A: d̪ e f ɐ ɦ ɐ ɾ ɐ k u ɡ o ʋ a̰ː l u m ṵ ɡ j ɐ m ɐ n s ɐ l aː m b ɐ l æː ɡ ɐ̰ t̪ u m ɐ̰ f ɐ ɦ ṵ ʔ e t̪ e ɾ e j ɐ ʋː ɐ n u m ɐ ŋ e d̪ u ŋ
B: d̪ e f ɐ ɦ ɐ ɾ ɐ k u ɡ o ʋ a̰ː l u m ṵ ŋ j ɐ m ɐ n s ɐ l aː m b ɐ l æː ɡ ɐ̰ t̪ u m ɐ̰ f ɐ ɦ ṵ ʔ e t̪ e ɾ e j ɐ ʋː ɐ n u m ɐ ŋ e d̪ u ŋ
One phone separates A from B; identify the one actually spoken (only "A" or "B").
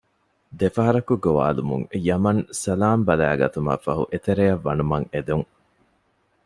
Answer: B